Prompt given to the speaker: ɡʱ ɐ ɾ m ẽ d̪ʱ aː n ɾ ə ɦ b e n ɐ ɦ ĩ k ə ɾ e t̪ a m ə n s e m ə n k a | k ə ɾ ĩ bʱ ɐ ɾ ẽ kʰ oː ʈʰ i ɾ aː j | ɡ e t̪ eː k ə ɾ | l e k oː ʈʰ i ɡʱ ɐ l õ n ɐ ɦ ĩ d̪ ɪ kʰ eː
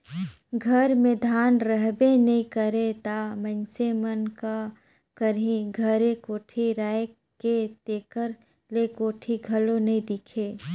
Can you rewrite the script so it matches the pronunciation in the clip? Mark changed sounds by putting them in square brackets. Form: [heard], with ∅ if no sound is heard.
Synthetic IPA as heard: ɡʱ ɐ ɾ m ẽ d̪ʱ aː n ɾ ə ɦ b e n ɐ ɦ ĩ k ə ɾ e t̪ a m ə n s e m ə n k a | k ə ɾ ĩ [ɡʱ] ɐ ɾ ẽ [k] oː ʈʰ i ɾ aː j | [k] e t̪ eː k ə ɾ | l e k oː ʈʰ i ɡʱ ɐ l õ n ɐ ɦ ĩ d̪ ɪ kʰ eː